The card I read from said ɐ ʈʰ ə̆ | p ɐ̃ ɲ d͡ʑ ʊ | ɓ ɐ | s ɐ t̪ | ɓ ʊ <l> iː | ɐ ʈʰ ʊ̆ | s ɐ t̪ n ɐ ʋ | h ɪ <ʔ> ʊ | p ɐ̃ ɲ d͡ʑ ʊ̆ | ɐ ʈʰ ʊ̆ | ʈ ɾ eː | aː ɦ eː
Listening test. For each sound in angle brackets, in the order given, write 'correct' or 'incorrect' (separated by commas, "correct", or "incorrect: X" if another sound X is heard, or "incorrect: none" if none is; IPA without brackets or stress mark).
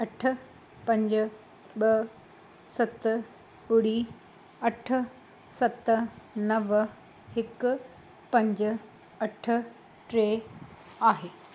incorrect: ɽ, incorrect: k